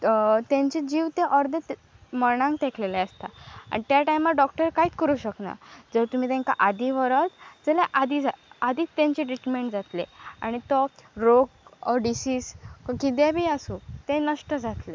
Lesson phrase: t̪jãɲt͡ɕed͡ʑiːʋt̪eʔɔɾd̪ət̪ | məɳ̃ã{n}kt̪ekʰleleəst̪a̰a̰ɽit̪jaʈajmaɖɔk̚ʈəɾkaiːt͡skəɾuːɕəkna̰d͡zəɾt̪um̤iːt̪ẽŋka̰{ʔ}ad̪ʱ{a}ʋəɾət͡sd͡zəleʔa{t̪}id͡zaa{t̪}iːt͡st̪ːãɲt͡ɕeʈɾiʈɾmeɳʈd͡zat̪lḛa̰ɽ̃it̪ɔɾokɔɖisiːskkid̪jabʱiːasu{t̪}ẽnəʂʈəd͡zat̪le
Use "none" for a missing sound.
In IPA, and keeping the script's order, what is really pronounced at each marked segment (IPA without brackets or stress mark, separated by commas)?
ŋ, ʔ, i, d̪, d̪, t̪